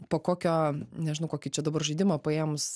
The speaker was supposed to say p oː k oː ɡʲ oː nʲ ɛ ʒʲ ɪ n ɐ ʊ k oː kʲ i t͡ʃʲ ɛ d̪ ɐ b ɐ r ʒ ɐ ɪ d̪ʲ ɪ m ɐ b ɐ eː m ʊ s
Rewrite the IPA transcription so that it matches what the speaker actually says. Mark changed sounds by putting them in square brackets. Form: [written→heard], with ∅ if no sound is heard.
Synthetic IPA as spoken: p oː k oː [ɡʲ→kʲ] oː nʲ ɛ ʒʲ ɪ n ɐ ʊ k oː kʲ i t͡ʃʲ ɛ d̪ ɐ b ɐ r ʒ ɐ ɪ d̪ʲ ɪ m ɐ [b→p] ɐ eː m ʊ s